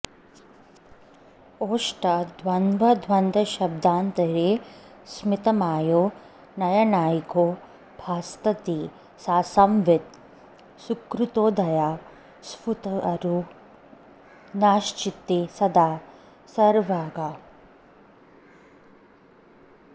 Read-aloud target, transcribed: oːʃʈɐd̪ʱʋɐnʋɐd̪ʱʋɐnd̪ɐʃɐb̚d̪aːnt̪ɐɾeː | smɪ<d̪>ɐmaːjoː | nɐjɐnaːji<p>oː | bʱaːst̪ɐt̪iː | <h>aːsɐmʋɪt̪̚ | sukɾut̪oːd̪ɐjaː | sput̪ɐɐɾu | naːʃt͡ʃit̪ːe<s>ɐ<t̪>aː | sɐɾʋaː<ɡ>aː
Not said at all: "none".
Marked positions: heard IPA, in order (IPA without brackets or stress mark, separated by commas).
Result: t̪, k, s, s, d̪, ɡ